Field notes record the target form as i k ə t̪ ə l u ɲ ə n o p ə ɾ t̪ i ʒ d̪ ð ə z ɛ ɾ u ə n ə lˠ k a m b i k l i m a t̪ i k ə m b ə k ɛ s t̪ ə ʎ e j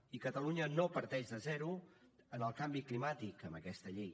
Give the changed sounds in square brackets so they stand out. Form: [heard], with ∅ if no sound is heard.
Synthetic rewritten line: i k ə t̪ ə l u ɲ ə n o p ə ɾ t̪ [ɛ] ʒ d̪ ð ə z ɛ ɾ u ə n ə lˠ k a m b i k l i m a t̪ i k ə m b ə k ɛ s t̪ ə ʎ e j